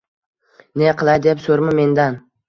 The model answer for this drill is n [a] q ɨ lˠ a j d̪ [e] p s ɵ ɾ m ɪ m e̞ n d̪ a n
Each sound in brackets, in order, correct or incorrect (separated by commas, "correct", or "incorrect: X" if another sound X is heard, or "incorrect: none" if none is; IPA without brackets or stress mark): incorrect: e, correct